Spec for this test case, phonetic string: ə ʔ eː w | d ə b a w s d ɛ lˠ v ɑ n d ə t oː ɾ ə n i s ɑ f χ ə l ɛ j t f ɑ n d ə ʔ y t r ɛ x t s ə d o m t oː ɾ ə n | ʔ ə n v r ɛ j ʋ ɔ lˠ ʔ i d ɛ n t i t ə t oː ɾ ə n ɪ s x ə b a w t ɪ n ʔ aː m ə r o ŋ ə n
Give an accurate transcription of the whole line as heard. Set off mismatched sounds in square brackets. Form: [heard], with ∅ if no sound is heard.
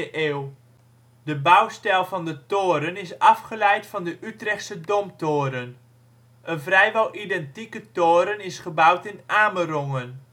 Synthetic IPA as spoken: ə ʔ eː w | d ə b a w s [t] ɛ lˠ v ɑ n d ə t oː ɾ ə n [ɪ] s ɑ f χ ə l ɛ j t f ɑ n d ə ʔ y t r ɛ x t s ə d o m t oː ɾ ə n | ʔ ə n v r ɛ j ʋ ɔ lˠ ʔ i d ɛ n t i [k] ə t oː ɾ ə n ɪ s [χ] ə b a w t ɪ n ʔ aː m ə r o ŋ ə n